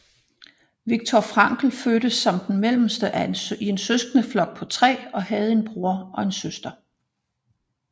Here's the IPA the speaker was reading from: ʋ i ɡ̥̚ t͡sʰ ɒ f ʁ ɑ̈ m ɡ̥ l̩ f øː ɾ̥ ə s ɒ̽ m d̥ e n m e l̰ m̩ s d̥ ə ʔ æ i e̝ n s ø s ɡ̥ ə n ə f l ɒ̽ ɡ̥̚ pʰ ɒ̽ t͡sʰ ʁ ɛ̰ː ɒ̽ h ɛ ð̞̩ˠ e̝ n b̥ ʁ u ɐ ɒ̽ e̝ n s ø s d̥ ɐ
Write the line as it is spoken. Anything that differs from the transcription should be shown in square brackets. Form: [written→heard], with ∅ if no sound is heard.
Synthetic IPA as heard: ʋ i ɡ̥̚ t͡sʰ ɒ f ʁ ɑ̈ [m→ŋ] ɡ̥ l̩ f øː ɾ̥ ə s ɒ̽ m d̥ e n m e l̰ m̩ s d̥ ə ʔ æ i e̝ n s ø s ɡ̥ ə n ə f l ɒ̽ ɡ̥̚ pʰ ɒ̽ t͡sʰ ʁ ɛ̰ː ɒ̽ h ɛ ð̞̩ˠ e̝ n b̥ ʁ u ɐ ɒ̽ e̝ n s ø s d̥ ɐ